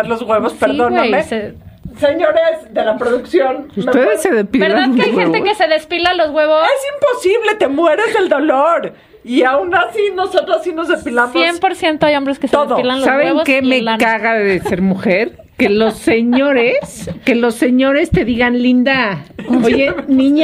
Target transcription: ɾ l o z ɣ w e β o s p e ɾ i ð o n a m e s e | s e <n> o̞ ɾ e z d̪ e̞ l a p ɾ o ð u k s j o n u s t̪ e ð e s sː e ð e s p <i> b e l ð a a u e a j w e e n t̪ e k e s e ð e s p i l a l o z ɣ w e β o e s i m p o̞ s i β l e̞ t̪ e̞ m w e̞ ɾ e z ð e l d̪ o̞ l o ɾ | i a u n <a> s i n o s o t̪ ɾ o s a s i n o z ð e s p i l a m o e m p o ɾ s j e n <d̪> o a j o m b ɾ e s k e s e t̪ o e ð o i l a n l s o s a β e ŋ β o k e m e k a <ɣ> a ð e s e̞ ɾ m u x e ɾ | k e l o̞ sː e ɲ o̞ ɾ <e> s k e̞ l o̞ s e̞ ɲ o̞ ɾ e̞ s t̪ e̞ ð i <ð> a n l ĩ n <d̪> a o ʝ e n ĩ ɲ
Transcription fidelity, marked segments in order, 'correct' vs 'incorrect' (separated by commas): incorrect, correct, correct, incorrect, correct, correct, incorrect, correct